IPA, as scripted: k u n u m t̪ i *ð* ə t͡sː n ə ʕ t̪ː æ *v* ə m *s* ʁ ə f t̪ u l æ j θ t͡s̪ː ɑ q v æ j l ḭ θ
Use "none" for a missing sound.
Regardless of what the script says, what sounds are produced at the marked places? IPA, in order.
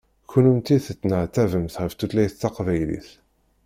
θ, v, θ

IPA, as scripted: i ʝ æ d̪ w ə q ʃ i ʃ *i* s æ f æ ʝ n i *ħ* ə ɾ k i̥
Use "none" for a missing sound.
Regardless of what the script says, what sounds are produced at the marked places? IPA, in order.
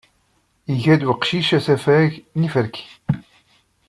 æ, f

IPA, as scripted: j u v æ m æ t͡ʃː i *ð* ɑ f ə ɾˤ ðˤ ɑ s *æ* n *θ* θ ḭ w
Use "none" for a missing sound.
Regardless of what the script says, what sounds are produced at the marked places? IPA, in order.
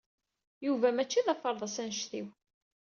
ð, æ, ʃ

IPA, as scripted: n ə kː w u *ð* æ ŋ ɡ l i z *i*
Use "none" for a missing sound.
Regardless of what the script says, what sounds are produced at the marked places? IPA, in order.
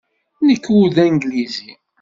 ð, i

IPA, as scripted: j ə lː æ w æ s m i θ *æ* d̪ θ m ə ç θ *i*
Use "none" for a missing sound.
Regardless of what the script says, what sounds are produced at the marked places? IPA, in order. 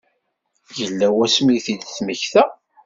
i, æ

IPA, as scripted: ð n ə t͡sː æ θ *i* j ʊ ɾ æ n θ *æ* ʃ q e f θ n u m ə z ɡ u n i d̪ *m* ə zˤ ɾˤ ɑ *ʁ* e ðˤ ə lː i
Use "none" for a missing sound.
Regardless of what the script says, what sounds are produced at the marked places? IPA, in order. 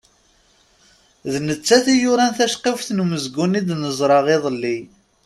i, æ, n, ʁ

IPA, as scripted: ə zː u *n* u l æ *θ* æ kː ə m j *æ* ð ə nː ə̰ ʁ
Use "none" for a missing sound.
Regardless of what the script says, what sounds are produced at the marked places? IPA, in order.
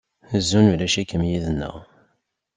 n, ʃ, i

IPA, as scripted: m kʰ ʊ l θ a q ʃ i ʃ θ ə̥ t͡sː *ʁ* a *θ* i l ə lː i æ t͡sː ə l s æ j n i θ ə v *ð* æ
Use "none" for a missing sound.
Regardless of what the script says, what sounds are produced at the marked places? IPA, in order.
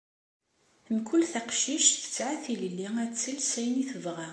ʕ, θ, ʁ

